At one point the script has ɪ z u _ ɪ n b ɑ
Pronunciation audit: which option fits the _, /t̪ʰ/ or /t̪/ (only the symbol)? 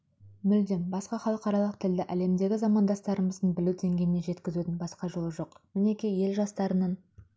t̪